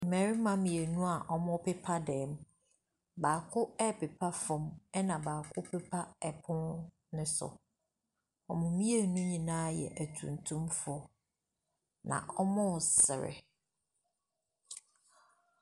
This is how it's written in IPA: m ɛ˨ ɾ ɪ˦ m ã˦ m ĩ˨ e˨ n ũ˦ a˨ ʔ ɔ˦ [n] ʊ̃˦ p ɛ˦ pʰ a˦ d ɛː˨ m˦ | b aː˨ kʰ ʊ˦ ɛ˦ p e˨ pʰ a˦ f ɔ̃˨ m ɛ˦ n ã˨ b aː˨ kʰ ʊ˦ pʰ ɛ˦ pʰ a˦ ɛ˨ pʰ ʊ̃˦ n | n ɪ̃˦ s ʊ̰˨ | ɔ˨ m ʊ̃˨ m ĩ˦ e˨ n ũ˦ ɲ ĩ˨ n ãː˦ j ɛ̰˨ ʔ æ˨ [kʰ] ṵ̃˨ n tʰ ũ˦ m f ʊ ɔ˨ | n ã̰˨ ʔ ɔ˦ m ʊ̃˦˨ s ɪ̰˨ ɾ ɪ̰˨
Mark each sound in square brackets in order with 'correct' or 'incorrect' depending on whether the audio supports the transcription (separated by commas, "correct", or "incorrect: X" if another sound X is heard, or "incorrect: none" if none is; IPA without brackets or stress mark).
incorrect: m, incorrect: tʰ